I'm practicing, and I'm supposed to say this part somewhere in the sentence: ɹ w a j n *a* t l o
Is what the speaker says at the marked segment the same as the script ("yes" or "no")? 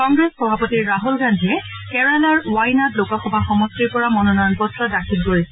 yes